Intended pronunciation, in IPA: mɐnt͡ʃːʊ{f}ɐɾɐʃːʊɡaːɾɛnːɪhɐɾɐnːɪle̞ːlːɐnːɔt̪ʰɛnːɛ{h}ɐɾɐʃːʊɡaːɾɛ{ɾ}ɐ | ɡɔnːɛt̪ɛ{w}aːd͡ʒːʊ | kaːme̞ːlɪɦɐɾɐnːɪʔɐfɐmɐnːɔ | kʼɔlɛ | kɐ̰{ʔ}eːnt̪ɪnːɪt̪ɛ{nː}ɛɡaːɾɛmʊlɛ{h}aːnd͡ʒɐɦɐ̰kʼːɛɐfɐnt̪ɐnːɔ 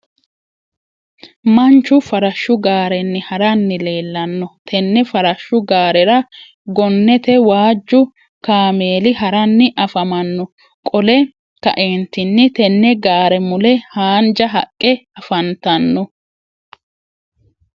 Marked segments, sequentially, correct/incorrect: correct, incorrect: f, correct, correct, correct, correct, correct

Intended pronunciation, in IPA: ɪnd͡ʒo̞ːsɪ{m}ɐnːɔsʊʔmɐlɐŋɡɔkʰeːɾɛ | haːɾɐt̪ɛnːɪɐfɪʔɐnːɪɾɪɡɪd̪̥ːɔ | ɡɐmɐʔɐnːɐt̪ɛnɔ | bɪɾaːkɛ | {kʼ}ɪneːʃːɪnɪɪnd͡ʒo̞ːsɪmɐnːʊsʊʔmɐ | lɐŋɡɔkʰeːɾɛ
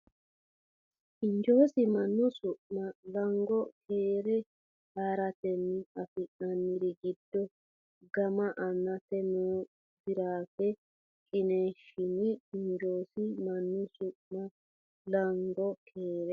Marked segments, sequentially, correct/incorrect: correct, correct

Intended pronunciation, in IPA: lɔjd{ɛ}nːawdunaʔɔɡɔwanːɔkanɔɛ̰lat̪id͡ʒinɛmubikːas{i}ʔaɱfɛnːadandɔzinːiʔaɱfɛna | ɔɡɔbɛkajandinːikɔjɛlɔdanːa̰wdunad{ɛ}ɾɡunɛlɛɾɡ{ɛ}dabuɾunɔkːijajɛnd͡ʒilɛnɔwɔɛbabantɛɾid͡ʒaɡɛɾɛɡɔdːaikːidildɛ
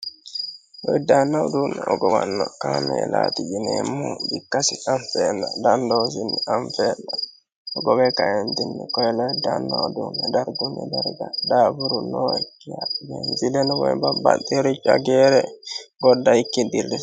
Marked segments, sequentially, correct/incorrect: incorrect: a, correct, incorrect: a, incorrect: a

